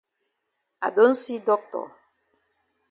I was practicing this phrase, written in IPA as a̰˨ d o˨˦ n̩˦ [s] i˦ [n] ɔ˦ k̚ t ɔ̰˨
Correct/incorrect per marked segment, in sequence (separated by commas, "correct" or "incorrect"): correct, incorrect